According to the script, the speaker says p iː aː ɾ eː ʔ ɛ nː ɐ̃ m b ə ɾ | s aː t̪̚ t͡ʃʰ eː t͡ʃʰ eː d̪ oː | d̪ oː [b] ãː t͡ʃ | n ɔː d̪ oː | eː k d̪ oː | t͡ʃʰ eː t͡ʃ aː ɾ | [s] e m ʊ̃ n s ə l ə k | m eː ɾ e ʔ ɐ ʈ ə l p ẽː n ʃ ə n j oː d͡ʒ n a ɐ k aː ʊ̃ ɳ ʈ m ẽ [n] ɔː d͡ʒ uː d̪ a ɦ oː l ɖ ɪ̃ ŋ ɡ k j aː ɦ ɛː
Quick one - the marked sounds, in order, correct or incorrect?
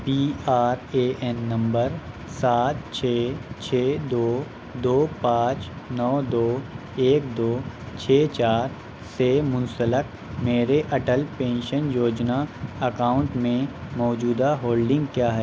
incorrect: p, correct, incorrect: m

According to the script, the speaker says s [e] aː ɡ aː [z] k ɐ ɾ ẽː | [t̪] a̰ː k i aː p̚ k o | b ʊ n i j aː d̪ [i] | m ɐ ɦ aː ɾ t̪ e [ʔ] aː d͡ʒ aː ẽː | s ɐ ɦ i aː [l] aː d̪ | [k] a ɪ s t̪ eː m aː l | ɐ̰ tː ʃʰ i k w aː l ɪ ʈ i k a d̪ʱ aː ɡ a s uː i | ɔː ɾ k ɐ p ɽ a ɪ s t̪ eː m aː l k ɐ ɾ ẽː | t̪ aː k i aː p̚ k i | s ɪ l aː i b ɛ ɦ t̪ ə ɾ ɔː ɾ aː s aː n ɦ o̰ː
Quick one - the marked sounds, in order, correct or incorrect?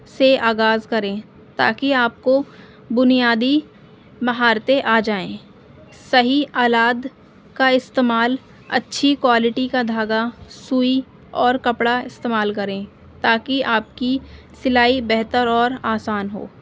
correct, correct, correct, correct, correct, correct, correct

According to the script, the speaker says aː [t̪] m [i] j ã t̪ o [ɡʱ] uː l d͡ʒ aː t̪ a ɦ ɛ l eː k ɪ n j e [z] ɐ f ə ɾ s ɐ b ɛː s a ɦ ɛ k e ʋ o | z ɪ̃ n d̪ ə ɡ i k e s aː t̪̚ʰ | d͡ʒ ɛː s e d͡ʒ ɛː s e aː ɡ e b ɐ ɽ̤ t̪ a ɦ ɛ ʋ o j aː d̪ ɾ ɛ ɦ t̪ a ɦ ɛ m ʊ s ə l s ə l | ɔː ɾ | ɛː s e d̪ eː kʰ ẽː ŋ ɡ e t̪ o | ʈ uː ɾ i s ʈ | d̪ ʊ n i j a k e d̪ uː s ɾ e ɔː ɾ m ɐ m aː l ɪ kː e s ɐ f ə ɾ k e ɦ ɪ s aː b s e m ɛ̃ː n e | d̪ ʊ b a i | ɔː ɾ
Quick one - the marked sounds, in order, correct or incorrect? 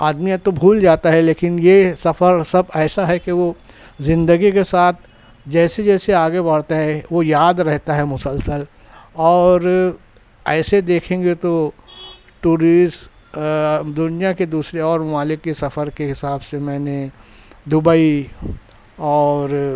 incorrect: d̪, correct, incorrect: bʱ, incorrect: s

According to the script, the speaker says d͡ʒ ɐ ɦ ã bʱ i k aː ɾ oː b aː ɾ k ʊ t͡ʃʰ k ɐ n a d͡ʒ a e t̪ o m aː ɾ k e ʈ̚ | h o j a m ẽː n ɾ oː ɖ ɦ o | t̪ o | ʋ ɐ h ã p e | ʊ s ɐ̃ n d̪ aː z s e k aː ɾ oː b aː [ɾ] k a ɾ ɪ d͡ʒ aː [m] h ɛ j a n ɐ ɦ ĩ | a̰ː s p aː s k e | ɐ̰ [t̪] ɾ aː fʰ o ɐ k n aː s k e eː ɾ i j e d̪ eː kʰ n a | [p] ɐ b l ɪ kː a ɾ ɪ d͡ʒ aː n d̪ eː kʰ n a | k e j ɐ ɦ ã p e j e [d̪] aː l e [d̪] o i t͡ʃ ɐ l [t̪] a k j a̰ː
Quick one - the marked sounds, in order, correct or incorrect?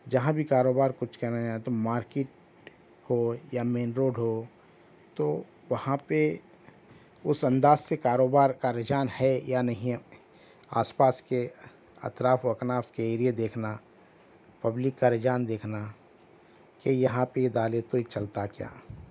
correct, incorrect: n, correct, correct, correct, incorrect: t̪, correct

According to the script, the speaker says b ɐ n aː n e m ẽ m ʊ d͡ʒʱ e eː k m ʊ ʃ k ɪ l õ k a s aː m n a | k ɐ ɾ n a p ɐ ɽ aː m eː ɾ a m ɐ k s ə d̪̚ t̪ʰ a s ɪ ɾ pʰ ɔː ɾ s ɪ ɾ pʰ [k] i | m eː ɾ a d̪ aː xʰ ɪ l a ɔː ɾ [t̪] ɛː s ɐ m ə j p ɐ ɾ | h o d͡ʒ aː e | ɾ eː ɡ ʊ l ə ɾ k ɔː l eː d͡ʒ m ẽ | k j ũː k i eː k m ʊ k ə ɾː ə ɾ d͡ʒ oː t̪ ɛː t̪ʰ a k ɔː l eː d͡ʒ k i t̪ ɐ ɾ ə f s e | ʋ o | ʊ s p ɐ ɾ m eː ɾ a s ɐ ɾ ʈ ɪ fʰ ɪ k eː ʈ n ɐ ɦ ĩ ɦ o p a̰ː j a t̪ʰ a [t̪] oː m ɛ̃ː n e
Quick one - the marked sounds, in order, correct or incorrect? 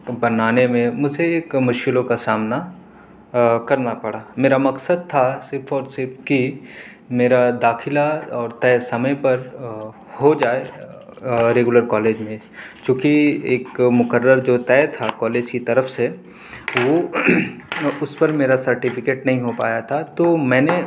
correct, correct, correct

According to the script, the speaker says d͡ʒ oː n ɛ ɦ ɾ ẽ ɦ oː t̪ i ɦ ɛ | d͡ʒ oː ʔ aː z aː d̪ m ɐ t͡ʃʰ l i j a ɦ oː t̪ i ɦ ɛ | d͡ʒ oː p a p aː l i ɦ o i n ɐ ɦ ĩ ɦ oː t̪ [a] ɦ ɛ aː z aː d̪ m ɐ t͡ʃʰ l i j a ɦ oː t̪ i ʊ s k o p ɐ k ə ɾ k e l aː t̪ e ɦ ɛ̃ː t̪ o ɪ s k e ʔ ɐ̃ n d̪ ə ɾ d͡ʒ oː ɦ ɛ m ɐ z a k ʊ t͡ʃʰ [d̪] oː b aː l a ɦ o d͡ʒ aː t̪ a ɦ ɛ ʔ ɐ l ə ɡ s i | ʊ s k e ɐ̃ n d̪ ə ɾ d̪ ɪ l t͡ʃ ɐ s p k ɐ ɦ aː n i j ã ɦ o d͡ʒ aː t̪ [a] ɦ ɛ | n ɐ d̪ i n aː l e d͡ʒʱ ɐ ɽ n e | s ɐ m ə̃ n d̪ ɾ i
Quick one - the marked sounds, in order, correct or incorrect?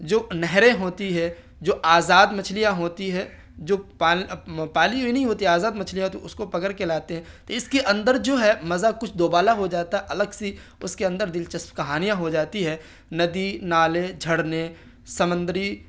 incorrect: i, correct, incorrect: i

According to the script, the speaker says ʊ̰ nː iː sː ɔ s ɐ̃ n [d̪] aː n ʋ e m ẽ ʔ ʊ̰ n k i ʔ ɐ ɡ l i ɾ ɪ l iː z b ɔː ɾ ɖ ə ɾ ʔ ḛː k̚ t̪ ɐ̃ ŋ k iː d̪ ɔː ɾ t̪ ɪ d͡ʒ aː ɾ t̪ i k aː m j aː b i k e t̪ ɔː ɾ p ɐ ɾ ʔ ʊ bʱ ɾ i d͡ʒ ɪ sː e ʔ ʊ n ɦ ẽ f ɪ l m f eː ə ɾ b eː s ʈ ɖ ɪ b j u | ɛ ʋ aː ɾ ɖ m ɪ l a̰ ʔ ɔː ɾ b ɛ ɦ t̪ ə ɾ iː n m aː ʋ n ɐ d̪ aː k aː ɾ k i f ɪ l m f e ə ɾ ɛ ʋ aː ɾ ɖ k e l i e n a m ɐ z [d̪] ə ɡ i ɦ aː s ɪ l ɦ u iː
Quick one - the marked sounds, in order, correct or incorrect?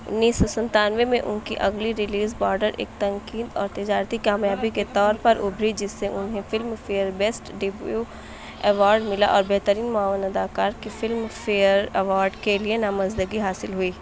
incorrect: t̪, correct

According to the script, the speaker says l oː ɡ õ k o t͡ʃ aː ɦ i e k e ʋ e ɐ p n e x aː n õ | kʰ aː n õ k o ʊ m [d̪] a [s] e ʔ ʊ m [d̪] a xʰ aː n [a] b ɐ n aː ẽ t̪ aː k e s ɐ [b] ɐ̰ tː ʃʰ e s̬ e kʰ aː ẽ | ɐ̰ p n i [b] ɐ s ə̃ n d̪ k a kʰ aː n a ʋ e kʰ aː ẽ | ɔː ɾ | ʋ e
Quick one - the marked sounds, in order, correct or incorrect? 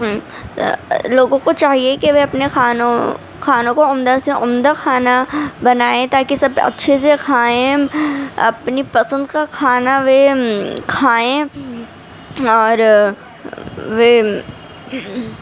correct, correct, correct, correct, correct, incorrect: p

